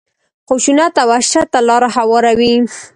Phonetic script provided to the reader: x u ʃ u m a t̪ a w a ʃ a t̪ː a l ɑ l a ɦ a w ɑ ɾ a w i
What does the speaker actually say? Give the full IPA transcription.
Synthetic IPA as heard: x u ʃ u n a t̪ a w a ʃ a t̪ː a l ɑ ɾ a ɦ a w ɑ ɾ a w i